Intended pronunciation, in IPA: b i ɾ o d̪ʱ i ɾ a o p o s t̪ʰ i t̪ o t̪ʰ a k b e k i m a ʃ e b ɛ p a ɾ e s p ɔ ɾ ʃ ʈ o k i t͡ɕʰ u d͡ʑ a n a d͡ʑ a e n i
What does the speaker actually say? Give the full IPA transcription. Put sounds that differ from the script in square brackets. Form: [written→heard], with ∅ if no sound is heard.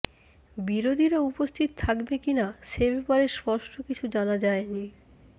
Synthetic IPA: b i ɾ o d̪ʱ i ɾ a [o→u] p o s t̪ʰ i t̪ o t̪ʰ a k b e k i [m→n] a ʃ e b ɛ p a ɾ e s p ɔ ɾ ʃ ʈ o k i t͡ɕʰ u d͡ʑ a n a d͡ʑ a e n i